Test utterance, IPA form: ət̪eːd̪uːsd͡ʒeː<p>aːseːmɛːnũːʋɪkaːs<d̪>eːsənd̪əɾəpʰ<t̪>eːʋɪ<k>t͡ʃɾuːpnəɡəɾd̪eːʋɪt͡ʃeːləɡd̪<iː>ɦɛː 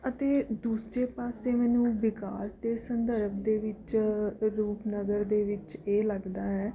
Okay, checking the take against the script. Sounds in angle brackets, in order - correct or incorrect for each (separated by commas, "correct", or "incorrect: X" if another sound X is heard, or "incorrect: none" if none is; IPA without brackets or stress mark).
correct, correct, incorrect: d̪, incorrect: none, incorrect: aː